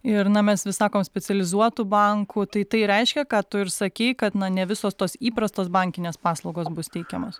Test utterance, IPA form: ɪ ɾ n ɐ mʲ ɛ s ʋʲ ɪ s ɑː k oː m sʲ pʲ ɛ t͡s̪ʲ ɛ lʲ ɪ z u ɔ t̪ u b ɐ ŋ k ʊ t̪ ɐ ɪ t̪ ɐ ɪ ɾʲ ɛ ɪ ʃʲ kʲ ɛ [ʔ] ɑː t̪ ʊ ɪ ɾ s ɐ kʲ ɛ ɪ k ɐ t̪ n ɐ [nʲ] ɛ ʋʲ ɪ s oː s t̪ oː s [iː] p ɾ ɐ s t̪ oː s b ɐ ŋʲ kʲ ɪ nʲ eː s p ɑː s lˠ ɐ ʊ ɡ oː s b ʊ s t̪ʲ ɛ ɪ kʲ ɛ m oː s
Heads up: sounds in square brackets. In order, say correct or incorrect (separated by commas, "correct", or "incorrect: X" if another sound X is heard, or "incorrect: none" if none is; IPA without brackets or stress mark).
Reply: incorrect: k, correct, correct